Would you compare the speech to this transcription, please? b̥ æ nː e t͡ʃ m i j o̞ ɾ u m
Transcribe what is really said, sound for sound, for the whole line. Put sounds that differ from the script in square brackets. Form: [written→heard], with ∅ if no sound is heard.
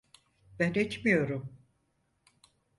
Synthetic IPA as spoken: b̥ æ [nː→n] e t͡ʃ m i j o̞ ɾ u m